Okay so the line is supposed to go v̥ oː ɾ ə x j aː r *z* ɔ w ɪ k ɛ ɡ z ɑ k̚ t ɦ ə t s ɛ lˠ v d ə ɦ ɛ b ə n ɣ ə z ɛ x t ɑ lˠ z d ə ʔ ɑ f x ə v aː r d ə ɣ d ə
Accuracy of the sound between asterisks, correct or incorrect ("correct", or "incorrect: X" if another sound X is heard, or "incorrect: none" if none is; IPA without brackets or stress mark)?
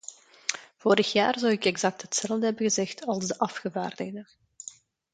correct